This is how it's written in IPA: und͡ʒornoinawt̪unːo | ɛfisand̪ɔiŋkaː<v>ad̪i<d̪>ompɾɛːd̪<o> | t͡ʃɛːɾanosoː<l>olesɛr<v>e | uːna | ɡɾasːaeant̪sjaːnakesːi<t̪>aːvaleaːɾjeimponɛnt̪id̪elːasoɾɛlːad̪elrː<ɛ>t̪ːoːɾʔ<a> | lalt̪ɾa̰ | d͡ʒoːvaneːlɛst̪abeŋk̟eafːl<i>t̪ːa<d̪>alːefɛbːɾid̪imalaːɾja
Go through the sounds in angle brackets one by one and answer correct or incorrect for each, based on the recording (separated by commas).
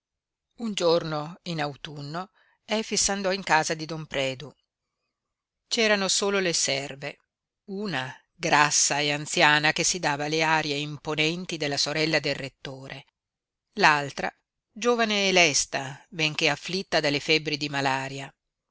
incorrect, correct, incorrect, correct, correct, incorrect, incorrect, incorrect, correct, correct